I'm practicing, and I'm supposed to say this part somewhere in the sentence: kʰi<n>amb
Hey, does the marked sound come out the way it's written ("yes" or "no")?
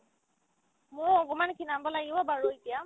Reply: yes